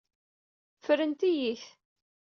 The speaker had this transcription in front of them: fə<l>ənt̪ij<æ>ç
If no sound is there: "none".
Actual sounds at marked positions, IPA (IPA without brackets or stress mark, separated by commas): ɾ, i